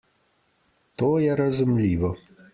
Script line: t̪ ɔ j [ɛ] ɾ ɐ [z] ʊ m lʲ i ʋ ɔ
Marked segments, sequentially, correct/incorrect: correct, correct

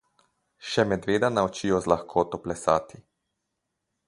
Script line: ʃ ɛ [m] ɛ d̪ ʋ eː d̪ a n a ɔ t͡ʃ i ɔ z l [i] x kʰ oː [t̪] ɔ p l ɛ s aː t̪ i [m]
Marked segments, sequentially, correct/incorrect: correct, incorrect, correct, incorrect

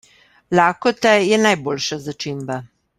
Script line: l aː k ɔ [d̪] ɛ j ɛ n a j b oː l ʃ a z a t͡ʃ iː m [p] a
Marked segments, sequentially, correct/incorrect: incorrect, incorrect

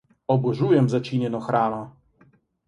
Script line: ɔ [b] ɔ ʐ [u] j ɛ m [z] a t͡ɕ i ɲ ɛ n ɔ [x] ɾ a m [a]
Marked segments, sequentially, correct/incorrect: correct, correct, correct, correct, correct

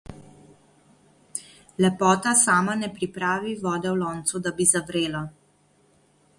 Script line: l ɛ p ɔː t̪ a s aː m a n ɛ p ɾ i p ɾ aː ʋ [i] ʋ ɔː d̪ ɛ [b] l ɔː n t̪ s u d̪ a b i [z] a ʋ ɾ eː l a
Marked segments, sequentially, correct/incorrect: correct, incorrect, correct

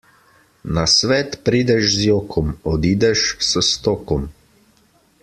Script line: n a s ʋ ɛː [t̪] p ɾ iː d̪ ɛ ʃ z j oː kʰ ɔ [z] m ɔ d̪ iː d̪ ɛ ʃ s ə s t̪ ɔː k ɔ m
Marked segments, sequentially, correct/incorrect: correct, incorrect

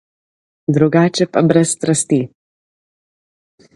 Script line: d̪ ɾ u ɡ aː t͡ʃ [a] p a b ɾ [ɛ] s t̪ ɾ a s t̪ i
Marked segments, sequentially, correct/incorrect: incorrect, correct

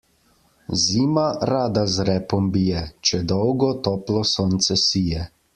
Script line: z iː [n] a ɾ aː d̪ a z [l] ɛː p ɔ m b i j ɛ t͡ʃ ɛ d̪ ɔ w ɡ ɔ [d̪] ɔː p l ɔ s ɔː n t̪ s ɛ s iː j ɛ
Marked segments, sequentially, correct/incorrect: incorrect, incorrect, incorrect

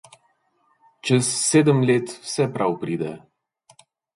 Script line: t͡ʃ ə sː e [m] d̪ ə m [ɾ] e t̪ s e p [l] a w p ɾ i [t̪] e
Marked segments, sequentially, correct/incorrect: incorrect, incorrect, incorrect, incorrect

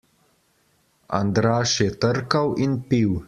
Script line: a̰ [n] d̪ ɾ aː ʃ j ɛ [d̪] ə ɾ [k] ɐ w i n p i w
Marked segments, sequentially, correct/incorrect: correct, incorrect, correct

